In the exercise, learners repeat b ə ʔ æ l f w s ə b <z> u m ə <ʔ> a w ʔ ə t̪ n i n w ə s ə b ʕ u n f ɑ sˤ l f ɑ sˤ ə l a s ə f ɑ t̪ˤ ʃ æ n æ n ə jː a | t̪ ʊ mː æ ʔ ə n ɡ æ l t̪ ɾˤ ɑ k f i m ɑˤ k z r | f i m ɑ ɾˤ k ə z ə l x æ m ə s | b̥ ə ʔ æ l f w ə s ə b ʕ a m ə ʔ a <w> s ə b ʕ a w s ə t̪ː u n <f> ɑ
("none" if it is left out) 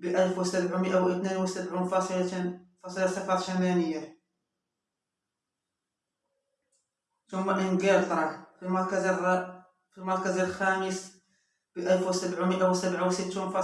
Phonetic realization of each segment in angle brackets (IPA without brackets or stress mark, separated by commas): ʕ, ʔ, w, f